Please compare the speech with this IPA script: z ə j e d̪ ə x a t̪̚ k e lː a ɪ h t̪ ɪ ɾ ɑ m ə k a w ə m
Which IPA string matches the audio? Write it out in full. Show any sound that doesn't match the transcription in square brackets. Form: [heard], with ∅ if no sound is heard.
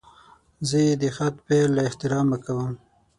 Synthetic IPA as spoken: z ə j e d̪ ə x a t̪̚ [p] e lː a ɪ h t̪ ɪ ɾ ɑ m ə k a w ə m